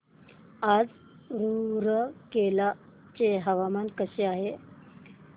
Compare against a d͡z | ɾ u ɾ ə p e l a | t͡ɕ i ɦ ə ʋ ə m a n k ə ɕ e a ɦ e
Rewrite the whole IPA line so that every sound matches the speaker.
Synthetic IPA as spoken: a d͡z | ɾ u ɾ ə k e l a | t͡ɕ e ɦ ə ʋ a m a n k ə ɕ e a ɦ e